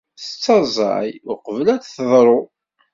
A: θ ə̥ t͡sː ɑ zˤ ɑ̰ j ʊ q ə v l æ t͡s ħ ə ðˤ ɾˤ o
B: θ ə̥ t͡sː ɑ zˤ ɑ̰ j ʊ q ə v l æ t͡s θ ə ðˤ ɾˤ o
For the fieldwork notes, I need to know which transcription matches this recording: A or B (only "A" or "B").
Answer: B